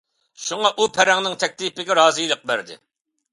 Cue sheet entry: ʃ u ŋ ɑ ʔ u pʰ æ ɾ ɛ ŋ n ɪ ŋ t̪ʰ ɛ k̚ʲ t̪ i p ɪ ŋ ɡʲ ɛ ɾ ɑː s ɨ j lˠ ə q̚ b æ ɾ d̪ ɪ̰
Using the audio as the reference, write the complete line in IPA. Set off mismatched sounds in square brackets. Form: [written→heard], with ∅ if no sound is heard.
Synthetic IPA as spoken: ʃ u ŋ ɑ ʔ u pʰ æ ɾ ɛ ŋ n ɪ ŋ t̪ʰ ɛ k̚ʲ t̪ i p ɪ [ŋ→∅] ɡʲ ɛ ɾ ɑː [s→z] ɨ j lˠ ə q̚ b æ ɾ d̪ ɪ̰